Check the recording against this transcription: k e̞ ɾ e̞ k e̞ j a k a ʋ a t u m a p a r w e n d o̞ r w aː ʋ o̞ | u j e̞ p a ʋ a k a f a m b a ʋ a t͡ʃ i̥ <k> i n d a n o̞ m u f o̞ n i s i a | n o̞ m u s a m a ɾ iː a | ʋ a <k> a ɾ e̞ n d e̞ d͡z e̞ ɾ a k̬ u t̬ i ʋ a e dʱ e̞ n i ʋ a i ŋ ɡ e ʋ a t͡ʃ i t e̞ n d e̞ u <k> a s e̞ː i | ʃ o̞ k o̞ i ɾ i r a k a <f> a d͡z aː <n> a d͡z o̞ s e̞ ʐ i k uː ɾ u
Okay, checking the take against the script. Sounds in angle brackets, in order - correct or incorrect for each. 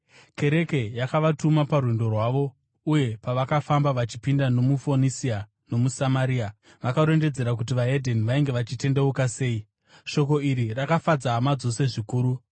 incorrect, correct, correct, correct, incorrect

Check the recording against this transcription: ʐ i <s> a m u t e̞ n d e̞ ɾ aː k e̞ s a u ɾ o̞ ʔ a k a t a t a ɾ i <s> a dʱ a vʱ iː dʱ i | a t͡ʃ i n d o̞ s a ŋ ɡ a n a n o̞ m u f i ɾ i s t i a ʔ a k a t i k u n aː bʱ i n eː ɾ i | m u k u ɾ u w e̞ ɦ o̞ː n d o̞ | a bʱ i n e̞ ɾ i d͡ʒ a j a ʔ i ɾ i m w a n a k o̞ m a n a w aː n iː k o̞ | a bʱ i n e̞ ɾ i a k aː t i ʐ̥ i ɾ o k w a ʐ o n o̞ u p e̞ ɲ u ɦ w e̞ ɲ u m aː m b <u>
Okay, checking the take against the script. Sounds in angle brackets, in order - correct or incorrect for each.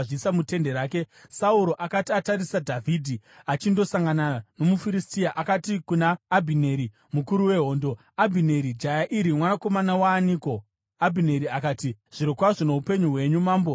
correct, correct, incorrect

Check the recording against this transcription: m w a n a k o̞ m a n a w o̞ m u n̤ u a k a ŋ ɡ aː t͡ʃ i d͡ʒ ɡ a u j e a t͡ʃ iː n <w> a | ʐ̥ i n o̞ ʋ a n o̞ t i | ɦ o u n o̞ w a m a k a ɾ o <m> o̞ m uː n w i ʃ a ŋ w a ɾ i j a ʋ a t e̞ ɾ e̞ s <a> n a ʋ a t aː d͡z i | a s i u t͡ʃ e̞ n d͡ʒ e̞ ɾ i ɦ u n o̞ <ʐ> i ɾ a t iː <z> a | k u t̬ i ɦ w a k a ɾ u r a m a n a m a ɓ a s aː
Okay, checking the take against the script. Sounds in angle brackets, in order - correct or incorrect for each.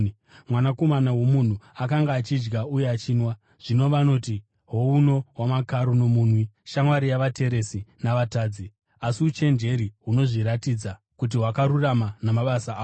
correct, incorrect, incorrect, correct, incorrect

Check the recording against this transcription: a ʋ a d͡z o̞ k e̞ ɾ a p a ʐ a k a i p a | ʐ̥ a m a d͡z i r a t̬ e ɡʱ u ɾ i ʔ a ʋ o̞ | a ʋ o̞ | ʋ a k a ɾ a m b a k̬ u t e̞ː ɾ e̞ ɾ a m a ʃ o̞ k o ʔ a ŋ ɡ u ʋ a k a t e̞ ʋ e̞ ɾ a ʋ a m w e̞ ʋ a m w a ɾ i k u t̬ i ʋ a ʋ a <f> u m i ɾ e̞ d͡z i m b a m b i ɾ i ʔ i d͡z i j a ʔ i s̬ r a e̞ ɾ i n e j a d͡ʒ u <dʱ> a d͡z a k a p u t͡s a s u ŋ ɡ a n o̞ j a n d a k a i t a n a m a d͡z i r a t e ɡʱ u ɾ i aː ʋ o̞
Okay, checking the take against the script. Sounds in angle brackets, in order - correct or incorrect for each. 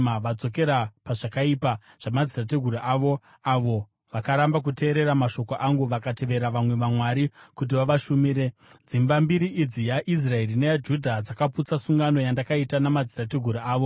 incorrect, correct

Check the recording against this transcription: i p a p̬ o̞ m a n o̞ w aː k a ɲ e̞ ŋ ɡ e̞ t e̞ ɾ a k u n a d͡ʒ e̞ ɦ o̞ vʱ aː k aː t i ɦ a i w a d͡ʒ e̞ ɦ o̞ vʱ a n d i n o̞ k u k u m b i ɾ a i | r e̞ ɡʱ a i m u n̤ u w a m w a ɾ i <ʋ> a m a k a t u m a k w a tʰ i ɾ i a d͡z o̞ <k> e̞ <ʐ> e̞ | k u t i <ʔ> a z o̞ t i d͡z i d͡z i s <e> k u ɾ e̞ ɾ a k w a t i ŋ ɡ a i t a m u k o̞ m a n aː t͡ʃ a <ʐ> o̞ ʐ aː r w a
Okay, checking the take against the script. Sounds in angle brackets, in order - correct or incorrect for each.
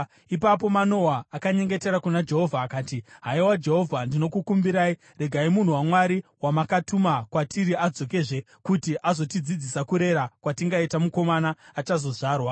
incorrect, correct, correct, correct, incorrect, incorrect

